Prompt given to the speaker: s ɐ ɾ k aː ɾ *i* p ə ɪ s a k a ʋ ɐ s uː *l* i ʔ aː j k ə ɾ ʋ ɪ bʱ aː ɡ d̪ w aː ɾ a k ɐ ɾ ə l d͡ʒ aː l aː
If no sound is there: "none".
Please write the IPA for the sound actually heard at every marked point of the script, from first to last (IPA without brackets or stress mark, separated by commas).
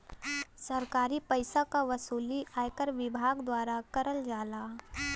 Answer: i, l